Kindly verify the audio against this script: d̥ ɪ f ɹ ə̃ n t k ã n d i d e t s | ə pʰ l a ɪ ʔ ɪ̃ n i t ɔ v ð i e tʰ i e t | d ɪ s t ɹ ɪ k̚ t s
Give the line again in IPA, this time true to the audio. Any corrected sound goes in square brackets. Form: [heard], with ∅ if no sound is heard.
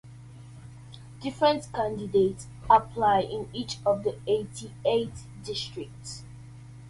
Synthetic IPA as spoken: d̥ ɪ f ɹ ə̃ n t k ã n d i d e t s | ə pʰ l a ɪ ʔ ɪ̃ n i [t͡ʃ] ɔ v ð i e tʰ i e t | d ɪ s t ɹ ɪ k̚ t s